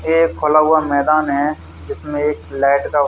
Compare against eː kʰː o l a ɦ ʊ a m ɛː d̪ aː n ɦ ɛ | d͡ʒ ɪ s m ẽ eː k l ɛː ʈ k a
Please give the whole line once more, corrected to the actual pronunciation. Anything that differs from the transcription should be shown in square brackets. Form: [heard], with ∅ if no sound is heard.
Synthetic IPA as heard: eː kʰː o l a ɦ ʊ a m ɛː d̪ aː n ɦ ɛ | d͡ʒ ɪ s m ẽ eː k l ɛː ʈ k a